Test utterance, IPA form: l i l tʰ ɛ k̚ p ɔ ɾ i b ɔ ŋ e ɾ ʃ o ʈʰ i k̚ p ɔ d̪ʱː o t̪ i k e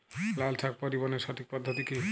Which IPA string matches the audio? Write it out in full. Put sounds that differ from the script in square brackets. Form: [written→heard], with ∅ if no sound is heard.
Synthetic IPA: l [i→a] l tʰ [ɛ→a] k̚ p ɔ ɾ i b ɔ [ŋ→n] e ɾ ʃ [o→ɔ] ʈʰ i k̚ p ɔ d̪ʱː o t̪ i k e